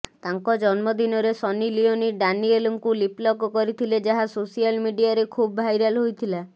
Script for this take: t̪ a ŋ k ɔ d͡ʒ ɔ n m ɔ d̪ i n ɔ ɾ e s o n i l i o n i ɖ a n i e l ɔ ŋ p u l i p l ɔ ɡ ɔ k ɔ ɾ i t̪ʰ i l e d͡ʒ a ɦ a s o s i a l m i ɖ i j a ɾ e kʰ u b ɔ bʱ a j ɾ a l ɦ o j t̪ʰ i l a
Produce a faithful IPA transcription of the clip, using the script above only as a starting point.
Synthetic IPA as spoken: t̪ a ŋ k ɔ d͡ʒ ɔ n m ɔ d̪ i n ɔ ɾ e s ɔ n i l i o n i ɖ a n i e l ɔ ŋ k u l i p l ɔ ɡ ɔ k ɔ ɾ i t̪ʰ i l e d͡ʒ a ɦ a s o s i a l m i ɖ i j a ɾ e kʰ u b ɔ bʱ a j ɾ a l ɦ o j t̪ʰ i l a